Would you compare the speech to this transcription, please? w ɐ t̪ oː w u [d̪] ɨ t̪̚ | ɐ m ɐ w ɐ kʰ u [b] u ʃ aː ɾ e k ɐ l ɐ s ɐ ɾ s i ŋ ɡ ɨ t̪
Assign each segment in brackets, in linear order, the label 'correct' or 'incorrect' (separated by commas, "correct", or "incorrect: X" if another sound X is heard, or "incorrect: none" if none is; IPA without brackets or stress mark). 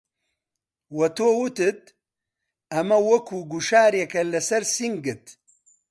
incorrect: t̪, incorrect: ɡ